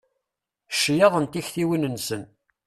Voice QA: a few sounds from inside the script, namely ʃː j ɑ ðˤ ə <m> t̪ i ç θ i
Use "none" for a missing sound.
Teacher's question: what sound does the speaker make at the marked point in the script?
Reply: n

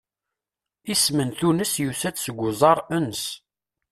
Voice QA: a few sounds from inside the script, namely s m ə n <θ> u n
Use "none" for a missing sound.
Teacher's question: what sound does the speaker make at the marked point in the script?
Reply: θ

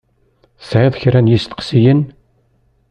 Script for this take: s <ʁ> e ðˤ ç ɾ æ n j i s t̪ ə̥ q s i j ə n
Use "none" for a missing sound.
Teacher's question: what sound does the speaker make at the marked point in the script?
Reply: ʕ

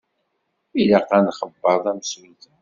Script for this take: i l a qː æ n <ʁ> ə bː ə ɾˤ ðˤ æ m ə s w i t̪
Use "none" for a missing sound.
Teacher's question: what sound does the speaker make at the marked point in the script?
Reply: χ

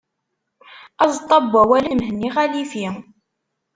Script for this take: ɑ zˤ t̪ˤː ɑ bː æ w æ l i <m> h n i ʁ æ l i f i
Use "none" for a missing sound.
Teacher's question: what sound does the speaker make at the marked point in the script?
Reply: m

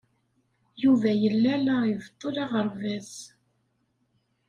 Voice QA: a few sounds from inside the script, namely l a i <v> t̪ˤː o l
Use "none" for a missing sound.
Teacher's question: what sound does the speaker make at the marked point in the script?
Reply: v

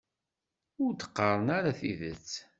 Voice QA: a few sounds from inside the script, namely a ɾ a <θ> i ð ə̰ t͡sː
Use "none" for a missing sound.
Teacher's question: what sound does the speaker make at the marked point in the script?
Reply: θ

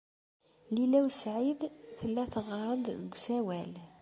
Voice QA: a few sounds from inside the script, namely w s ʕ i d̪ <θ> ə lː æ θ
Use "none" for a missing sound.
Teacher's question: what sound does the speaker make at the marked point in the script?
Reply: θ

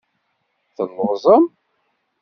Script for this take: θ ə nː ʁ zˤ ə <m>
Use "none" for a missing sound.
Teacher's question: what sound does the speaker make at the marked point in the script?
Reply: m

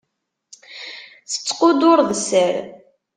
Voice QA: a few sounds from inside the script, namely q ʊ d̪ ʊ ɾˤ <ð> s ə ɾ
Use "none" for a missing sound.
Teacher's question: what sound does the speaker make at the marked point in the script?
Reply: ð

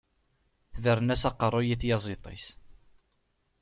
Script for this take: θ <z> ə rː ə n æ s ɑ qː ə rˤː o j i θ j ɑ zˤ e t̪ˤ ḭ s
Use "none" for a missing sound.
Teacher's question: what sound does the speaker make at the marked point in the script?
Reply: v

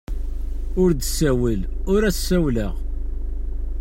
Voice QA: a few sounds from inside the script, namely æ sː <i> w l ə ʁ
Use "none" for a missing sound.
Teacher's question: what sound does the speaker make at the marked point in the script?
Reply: æ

